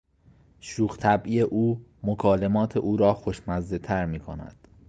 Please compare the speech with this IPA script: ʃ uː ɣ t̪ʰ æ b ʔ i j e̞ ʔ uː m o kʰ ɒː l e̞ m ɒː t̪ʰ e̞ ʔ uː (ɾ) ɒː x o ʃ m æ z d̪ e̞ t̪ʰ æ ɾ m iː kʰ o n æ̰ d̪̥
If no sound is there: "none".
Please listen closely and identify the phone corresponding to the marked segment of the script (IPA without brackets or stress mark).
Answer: ɾ